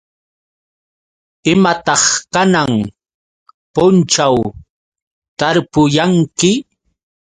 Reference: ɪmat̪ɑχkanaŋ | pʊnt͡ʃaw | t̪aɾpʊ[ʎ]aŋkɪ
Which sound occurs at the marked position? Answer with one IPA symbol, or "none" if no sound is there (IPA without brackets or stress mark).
j